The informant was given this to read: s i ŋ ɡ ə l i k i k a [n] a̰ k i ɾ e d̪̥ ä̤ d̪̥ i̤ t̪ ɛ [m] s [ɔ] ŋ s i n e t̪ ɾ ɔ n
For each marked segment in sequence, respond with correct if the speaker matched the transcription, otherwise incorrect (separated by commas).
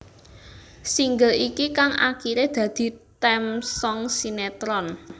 incorrect, correct, correct